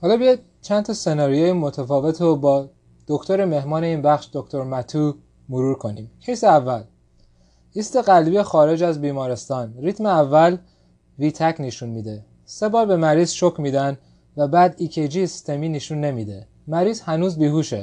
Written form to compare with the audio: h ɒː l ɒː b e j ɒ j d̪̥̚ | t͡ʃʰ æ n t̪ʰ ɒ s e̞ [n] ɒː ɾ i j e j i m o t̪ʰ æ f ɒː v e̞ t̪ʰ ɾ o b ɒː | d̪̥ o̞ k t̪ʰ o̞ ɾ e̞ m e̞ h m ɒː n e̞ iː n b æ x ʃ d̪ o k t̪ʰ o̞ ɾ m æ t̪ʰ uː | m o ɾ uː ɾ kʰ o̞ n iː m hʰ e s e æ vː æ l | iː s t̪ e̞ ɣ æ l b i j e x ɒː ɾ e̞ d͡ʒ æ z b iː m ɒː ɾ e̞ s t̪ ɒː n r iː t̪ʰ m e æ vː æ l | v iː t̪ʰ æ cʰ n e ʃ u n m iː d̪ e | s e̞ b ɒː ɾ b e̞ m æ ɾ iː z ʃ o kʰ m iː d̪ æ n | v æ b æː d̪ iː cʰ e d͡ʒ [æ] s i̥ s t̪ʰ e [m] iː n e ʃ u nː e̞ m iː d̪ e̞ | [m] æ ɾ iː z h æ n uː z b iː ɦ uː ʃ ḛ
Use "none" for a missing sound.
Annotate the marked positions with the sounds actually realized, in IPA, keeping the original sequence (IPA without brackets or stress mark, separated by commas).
n, i, m, m